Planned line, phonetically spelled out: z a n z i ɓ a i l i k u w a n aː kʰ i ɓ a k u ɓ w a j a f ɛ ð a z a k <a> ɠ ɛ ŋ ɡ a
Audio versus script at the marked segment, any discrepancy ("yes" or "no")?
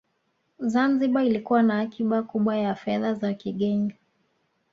yes